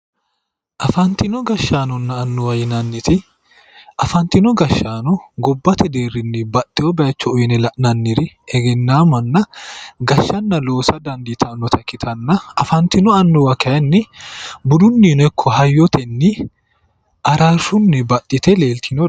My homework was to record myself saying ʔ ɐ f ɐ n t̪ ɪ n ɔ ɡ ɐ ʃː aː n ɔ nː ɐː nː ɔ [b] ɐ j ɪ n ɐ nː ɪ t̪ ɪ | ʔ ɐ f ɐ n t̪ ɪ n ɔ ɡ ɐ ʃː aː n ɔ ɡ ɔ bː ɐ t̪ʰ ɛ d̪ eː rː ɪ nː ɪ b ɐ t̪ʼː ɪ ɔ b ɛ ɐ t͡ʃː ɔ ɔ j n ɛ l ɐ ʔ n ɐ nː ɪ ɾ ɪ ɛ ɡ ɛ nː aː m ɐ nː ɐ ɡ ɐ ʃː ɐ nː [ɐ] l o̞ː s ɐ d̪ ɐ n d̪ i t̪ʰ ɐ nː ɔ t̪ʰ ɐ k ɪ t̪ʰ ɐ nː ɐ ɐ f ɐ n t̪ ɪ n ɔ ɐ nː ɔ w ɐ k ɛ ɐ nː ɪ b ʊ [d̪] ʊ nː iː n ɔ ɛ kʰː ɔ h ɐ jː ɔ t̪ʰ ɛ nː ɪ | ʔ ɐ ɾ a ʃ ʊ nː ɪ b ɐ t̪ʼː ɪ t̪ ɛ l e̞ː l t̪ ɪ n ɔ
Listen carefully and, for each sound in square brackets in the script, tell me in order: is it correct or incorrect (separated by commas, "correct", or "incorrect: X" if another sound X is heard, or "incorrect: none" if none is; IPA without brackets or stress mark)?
incorrect: w, correct, correct